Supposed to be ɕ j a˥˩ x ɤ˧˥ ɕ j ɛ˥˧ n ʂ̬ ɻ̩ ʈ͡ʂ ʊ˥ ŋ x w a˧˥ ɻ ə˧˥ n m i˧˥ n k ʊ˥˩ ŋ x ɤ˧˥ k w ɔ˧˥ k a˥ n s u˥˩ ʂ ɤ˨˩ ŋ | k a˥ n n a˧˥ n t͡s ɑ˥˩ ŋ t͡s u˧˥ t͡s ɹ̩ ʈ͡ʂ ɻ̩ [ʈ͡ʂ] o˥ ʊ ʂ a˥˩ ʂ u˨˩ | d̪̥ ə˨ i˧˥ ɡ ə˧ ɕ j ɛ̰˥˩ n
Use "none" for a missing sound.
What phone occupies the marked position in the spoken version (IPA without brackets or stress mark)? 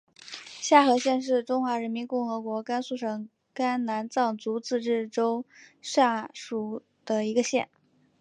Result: ʈ͡ʂ